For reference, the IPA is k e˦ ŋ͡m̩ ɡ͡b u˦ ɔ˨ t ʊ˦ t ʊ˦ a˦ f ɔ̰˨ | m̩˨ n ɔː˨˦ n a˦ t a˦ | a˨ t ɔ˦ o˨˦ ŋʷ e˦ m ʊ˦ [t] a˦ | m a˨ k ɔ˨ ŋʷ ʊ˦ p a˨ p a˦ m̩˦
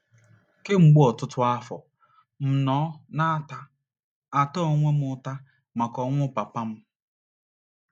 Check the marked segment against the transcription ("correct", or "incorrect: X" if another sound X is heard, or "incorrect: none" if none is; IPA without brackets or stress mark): correct